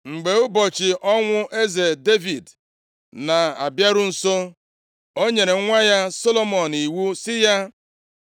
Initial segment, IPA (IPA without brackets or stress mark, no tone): ŋ͡m̩